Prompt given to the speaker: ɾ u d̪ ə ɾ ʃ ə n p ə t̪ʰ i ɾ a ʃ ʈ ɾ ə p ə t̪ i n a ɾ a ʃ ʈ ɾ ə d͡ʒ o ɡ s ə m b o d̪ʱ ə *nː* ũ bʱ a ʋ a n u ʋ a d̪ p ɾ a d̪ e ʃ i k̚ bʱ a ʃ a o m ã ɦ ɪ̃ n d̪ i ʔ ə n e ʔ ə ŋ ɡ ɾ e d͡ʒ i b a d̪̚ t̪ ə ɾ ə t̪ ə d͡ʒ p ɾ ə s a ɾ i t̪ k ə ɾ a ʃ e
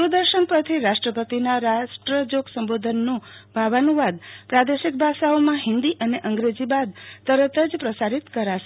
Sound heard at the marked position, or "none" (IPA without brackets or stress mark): nː